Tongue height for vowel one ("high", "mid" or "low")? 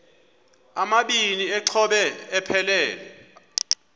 low